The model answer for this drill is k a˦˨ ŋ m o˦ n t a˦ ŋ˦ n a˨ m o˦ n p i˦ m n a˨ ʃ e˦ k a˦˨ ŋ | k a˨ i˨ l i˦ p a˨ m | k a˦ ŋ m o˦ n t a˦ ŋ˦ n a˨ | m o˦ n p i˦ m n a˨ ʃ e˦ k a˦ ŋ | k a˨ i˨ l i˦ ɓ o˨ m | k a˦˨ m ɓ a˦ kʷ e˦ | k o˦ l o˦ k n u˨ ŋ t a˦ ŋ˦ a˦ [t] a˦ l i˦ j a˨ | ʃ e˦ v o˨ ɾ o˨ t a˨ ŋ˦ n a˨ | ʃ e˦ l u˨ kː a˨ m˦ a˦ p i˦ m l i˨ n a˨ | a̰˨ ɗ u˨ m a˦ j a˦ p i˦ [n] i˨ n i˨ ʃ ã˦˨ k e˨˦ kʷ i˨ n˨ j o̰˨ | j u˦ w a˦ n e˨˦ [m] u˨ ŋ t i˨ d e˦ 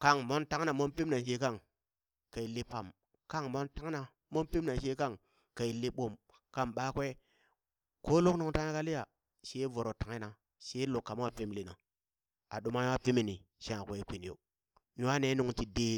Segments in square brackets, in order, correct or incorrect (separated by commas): incorrect, incorrect, incorrect